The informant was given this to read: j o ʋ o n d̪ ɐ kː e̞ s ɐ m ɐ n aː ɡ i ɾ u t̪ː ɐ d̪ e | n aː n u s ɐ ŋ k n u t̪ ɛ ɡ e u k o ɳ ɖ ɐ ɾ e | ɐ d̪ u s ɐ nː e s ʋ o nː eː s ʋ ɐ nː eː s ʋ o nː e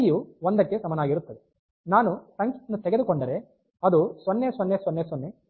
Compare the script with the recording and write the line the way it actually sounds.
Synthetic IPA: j u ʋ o n d̪ ɐ kː e̞ s ɐ m ɐ n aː ɡ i ɾ u t̪ː ɐ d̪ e | n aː n u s ɐ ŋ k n u t̪ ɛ ɡ e u k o ɳ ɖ ɐ ɾ e | ɐ d̪ u s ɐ nː e s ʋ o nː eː s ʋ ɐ nː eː s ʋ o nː e